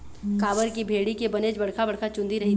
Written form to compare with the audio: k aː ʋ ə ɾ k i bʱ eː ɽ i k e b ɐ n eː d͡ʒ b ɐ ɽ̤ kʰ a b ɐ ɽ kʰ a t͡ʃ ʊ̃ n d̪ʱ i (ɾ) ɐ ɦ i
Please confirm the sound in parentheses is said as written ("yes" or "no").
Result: yes